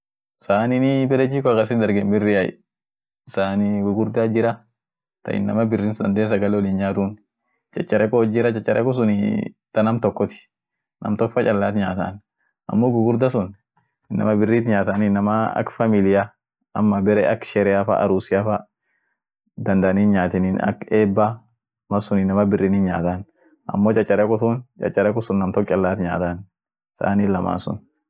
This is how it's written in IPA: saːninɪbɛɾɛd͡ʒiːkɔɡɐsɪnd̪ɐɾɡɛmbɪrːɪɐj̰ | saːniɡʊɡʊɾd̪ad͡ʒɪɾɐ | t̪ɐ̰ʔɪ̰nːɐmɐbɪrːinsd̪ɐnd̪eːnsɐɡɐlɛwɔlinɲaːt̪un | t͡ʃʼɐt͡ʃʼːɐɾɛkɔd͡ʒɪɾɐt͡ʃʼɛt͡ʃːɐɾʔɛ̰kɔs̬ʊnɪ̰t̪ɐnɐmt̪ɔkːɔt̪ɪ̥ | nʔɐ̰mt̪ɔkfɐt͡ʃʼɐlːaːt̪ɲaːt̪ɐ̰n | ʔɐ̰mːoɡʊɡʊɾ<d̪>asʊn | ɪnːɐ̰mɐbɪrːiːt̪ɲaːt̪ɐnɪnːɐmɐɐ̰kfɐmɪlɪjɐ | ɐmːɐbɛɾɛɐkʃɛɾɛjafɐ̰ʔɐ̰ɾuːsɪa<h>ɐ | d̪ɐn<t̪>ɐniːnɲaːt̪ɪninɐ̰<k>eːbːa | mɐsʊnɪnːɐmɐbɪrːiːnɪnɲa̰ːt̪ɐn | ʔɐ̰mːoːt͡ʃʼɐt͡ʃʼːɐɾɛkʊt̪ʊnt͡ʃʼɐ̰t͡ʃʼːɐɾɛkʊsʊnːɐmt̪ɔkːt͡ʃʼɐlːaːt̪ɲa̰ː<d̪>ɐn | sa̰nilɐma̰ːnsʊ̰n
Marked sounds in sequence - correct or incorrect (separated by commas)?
correct, incorrect, incorrect, correct, incorrect